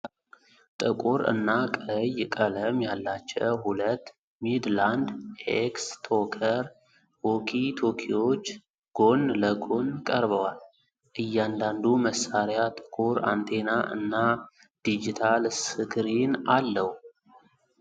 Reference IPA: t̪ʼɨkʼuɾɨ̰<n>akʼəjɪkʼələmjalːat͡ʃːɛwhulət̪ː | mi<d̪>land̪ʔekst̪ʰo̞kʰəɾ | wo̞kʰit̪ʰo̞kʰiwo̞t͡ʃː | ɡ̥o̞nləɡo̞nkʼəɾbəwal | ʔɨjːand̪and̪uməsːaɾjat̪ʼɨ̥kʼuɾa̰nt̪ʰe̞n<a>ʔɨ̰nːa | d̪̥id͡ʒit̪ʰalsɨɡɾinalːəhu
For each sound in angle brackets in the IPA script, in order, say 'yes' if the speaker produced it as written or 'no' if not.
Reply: no, yes, yes

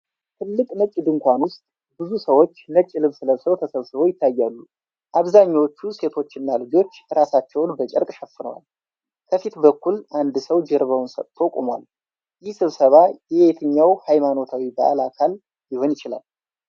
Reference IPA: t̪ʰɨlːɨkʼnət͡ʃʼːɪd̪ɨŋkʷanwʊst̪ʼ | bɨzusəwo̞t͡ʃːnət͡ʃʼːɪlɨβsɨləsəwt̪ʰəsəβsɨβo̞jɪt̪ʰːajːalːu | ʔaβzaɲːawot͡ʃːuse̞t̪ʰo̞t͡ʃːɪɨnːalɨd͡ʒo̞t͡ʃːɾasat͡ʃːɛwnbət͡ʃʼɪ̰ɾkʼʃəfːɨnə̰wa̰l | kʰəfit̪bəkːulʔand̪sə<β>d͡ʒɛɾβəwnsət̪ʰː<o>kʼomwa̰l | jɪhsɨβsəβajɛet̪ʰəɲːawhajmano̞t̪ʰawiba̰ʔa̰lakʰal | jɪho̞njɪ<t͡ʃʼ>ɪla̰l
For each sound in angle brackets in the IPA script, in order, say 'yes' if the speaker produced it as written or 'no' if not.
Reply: no, yes, no

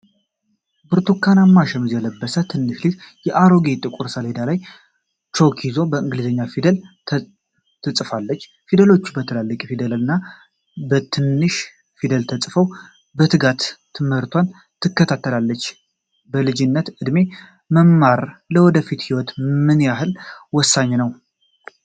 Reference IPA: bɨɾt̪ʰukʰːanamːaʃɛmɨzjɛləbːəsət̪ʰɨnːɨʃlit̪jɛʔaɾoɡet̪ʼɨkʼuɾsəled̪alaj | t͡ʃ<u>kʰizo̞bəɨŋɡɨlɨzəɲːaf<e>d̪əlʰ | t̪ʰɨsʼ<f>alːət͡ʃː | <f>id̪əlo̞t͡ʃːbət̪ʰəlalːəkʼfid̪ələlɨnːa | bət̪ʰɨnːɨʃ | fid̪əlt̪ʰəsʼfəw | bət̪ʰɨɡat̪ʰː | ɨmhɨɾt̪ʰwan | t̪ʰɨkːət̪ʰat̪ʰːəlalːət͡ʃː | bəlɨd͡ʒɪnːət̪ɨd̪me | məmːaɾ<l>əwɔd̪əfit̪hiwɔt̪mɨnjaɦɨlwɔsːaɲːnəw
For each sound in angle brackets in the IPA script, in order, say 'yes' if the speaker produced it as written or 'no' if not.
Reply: no, no, yes, yes, yes

